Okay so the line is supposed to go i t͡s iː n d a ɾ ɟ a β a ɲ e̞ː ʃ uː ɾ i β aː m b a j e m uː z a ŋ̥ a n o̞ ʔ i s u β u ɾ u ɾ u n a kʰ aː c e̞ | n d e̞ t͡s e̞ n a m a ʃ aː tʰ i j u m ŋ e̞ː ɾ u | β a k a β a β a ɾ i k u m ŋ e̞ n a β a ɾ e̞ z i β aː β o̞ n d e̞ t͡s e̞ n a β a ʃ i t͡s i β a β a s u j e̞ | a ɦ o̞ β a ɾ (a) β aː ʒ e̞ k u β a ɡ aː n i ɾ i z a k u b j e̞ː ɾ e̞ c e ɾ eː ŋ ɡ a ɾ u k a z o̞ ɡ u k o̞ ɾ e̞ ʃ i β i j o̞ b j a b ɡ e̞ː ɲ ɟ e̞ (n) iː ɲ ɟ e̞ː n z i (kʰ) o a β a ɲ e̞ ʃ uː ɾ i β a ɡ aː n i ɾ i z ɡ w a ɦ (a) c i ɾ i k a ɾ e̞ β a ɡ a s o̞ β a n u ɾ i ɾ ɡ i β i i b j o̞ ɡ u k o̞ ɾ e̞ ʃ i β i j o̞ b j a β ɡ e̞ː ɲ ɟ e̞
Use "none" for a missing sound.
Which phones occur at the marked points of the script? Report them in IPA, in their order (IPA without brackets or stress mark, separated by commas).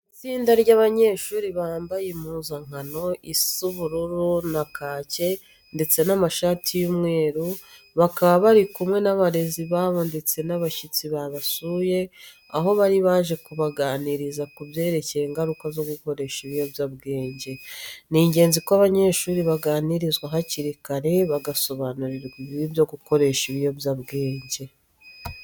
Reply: i, n, k, a